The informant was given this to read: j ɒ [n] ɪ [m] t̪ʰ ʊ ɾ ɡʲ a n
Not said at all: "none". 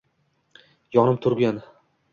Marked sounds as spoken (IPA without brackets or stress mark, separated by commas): n, m